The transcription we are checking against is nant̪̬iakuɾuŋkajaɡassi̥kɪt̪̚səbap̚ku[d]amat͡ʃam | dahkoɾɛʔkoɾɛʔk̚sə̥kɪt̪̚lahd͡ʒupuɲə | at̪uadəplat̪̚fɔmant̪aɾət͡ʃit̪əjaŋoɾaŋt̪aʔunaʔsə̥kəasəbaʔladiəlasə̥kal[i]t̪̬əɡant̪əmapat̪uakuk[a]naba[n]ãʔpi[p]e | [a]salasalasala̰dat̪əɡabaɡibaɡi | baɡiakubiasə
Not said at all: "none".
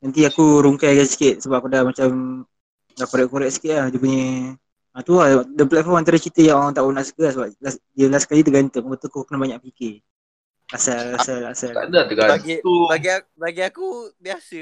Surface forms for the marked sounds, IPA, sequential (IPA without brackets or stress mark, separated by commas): d, i, ə, ɲ, k, a